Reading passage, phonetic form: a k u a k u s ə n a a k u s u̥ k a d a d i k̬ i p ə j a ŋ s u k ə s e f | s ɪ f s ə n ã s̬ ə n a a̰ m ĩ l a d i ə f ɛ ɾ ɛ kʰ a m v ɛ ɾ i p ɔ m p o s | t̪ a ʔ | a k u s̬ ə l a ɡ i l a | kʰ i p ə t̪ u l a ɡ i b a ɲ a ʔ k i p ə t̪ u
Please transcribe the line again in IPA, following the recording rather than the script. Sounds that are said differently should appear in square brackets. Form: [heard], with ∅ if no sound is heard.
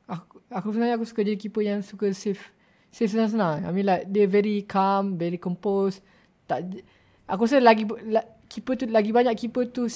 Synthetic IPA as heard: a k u a k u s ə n a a k u s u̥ k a [d͡ʒ] a d i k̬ i p ə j a ŋ s u k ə s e f | s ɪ f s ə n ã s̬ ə n a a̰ m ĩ l a d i ə [v] ɛ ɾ [i] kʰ a m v ɛ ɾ i [k] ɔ m p o s | t̪ a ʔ | a k u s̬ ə l a ɡ i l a | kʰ i p ə t̪ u l a ɡ i b a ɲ a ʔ k i p ə t̪ u